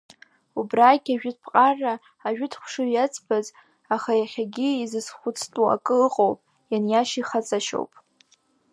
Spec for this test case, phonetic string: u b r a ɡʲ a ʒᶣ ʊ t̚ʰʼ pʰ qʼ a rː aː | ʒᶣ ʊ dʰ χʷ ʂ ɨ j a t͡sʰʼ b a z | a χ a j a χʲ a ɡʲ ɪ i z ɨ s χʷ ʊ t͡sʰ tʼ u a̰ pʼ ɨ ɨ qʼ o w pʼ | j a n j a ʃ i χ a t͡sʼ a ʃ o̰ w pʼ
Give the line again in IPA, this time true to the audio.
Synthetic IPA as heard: u b r a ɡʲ a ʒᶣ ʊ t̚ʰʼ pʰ qʼ a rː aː | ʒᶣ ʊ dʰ χʷ ʂ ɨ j a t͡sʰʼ b a z | a χ a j a χʲ a ɡʲ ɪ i z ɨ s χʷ ʊ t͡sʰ tʼ u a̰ kʼ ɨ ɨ qʼ o w pʼ | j a n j a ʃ i χ a t͡sʼ a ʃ o̰ w pʼ